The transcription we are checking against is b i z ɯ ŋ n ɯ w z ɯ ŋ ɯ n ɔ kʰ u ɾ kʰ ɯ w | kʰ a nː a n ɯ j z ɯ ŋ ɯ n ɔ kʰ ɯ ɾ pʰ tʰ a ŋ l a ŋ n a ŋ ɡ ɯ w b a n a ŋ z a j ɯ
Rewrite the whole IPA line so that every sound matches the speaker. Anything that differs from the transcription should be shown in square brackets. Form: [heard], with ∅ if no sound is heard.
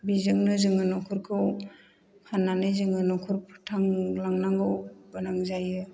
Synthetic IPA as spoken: b i z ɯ ŋ n ɯ [∅] z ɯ ŋ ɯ n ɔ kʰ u ɾ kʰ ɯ w | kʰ a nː a n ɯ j z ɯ ŋ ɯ n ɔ kʰ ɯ ɾ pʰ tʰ a ŋ l a ŋ n a ŋ ɡ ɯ w b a n a ŋ z a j ɯ